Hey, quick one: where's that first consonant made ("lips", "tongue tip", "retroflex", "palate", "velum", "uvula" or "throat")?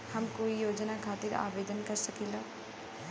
throat